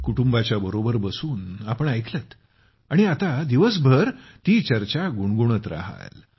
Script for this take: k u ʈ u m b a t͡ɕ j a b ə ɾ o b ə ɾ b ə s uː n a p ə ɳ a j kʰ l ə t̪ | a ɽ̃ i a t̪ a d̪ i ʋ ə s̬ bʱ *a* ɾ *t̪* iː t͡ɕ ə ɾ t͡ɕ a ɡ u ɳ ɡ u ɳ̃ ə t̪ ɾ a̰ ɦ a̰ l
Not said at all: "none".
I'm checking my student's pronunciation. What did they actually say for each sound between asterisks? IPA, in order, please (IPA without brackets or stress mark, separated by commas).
ə, t̪